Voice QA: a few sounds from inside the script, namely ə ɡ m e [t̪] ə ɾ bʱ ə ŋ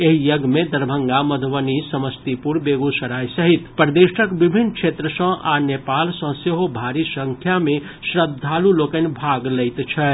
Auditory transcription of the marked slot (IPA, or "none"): d̪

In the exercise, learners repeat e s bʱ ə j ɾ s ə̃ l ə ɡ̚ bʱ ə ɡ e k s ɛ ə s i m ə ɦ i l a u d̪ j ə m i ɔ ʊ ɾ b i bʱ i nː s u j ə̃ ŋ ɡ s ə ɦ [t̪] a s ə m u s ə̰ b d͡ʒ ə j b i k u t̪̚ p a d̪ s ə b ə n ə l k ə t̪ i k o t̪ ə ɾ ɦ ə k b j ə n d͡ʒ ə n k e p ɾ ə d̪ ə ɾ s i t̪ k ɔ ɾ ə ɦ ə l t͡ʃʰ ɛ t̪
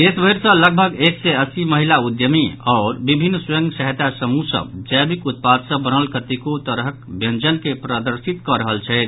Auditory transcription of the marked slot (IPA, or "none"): t̪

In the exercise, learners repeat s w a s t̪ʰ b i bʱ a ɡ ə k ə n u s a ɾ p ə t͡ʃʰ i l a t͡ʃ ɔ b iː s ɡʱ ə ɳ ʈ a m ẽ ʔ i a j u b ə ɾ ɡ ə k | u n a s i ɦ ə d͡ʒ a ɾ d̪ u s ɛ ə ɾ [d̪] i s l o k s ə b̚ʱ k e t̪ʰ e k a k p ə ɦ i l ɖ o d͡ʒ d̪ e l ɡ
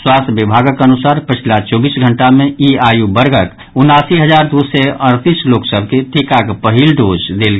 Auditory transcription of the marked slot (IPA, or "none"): t̪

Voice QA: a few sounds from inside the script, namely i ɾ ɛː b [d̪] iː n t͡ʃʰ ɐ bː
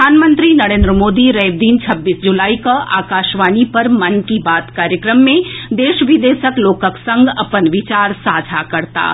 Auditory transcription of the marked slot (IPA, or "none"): d̪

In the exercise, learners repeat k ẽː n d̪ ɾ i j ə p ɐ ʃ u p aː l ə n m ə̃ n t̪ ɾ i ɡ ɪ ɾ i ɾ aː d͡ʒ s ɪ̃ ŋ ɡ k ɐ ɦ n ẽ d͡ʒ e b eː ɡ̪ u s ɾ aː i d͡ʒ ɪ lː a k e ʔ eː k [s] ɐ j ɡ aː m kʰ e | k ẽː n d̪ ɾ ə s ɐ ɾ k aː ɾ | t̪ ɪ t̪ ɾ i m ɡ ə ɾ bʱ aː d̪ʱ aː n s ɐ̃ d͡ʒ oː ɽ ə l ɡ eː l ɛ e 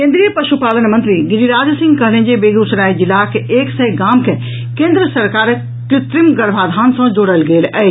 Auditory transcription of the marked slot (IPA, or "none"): s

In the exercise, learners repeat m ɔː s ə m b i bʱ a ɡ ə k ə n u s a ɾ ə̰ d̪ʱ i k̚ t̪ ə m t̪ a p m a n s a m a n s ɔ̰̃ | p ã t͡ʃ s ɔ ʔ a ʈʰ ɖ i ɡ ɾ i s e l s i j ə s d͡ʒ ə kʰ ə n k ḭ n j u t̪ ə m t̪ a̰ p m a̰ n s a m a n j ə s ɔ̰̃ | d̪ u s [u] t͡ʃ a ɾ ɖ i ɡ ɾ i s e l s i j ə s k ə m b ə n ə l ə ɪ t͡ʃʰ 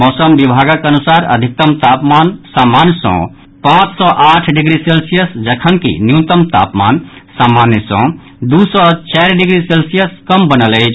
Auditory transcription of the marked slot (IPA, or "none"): ɔ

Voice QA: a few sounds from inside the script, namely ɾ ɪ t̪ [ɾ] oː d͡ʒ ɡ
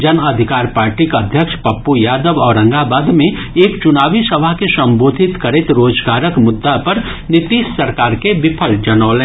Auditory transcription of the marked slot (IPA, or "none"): ɾ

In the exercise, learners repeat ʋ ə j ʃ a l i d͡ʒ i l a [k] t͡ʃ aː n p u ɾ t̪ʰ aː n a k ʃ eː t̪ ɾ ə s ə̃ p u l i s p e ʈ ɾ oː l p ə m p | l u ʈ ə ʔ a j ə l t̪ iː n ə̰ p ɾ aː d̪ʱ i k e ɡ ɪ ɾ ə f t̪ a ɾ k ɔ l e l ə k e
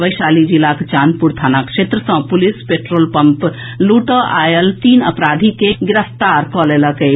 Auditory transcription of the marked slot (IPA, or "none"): k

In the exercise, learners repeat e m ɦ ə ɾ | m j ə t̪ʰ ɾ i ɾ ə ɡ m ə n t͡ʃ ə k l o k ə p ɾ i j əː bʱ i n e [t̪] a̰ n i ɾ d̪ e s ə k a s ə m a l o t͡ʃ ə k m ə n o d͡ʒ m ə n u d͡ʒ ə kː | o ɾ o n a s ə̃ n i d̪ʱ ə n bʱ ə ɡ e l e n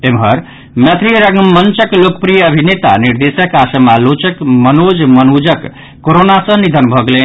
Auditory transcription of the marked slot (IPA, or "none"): t̪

